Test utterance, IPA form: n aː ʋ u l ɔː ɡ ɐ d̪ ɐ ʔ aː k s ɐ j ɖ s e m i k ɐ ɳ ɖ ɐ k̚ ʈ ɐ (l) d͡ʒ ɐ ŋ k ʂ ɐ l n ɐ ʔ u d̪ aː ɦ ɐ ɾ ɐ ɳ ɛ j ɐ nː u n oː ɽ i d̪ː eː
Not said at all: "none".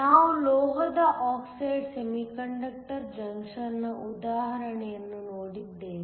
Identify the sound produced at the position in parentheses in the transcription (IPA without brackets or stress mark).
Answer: ɾ